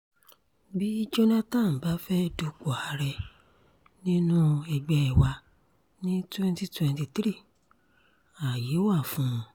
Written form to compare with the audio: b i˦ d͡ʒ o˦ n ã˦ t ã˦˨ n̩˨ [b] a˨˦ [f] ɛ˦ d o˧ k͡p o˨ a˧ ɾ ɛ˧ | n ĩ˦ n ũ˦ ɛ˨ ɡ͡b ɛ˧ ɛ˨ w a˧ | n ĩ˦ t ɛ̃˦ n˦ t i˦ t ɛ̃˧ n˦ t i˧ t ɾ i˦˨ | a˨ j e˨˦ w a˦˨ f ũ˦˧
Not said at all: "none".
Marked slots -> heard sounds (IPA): b, f

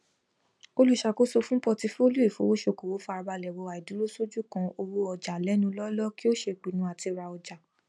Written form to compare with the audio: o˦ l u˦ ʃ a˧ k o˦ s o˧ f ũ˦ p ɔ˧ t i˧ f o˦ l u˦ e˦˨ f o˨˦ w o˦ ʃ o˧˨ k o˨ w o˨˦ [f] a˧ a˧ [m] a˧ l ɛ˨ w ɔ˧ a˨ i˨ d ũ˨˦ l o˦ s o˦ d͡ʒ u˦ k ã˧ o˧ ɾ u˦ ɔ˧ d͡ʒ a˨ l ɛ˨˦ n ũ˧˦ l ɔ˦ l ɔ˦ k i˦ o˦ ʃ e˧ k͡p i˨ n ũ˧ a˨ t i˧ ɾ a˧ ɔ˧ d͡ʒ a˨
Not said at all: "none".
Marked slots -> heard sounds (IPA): f, b

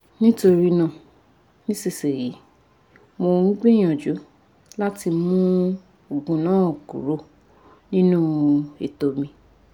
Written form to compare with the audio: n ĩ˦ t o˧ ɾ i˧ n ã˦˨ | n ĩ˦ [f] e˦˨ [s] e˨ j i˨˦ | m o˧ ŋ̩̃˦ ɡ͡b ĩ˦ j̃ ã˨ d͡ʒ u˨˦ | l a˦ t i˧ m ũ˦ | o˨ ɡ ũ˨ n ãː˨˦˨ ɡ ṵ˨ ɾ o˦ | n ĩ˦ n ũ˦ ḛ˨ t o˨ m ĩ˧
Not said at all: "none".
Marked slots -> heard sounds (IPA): s, s

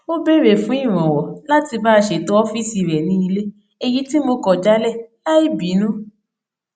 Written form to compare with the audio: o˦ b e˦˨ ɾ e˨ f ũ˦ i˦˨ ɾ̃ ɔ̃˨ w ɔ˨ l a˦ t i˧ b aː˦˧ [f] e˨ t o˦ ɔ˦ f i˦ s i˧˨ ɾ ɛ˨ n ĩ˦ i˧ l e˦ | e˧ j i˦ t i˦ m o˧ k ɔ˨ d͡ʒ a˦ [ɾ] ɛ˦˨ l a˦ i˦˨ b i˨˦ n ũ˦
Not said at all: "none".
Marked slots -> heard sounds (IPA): ʃ, l

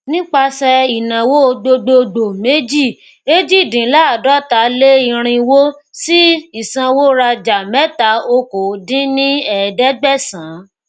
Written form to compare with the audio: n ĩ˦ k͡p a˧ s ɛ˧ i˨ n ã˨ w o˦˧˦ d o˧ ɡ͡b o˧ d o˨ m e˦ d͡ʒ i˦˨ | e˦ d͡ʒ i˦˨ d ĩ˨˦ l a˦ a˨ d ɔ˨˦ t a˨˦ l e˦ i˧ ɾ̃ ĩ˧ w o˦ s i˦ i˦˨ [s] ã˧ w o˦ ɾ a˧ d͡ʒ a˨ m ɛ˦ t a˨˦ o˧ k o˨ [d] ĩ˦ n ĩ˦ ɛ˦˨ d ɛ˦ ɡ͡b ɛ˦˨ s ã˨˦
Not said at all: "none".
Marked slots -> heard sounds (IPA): s, d

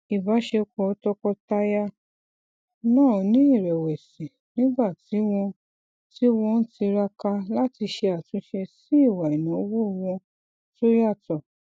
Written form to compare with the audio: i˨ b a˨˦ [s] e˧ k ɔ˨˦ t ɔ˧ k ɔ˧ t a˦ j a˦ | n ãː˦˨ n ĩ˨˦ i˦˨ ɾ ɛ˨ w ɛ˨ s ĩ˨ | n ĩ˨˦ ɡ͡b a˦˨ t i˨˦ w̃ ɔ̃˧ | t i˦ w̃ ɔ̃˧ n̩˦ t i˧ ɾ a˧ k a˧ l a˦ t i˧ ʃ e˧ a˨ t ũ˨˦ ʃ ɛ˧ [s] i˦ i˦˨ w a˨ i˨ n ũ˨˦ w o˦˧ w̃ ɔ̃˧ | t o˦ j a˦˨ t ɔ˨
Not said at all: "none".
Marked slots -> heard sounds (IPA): ʃ, s

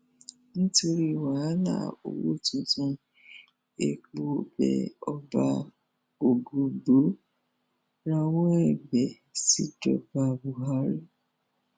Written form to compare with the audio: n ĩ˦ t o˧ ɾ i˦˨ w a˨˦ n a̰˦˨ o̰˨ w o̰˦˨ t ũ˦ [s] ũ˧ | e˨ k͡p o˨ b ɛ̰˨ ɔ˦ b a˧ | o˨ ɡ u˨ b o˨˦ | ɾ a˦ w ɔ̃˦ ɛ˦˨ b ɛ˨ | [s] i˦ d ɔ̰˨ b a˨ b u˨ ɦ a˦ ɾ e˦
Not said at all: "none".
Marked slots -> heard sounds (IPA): t, s

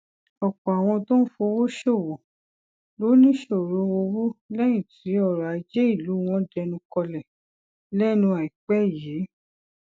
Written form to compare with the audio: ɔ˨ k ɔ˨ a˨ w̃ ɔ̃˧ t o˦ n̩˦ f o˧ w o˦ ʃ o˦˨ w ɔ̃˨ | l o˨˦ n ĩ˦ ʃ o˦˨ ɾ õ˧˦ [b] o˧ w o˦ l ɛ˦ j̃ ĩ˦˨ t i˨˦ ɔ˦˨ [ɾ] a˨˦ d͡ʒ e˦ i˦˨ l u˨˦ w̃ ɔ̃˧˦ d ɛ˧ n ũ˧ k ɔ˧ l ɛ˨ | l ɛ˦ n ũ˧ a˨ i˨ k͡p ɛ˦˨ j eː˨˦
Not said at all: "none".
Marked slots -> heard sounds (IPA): w, ɾ

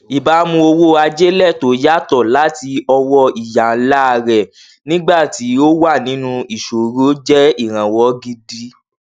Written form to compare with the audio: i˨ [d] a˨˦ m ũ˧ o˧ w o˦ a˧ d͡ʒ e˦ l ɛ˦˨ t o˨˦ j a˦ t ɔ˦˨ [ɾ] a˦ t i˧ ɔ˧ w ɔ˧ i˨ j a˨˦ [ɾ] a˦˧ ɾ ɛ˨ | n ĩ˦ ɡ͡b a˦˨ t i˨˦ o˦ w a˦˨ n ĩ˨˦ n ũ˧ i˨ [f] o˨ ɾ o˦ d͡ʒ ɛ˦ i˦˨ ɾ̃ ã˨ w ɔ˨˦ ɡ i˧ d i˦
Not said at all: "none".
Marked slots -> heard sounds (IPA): b, l, l, ʃ

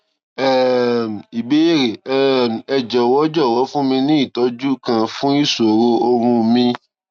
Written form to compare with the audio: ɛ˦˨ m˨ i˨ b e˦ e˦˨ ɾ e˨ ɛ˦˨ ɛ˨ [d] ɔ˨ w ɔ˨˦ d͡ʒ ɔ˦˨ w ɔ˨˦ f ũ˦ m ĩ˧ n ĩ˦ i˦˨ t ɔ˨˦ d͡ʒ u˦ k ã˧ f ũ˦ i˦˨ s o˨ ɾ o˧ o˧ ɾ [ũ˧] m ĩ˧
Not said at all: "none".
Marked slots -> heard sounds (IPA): d͡ʒ, ũ˧

